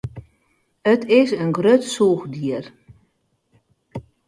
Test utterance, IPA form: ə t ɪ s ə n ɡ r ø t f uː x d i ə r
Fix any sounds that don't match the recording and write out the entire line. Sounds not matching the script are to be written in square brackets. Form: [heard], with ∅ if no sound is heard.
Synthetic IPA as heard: ə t ɪ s ə n ɡ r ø t [s] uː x d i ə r